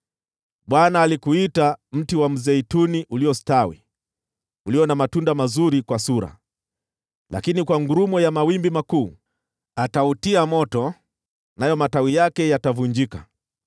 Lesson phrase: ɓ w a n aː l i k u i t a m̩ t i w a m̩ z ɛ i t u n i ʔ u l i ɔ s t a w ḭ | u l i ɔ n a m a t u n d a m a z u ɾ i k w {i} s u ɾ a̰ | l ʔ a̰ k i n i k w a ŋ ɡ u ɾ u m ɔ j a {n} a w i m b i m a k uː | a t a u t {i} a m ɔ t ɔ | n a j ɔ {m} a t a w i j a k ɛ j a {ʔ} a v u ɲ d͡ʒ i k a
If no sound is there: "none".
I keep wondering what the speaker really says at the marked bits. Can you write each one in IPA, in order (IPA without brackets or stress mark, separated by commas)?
a, m, i, m, t